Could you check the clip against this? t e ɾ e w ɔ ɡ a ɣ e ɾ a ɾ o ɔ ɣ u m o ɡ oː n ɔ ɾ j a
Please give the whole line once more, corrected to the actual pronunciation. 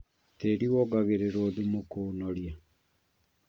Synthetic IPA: t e ɾ i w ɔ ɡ a ɣ e ɾ e ɾ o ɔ ð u m o k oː n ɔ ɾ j a